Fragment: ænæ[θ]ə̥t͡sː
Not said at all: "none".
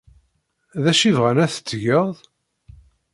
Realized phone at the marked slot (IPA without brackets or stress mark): θ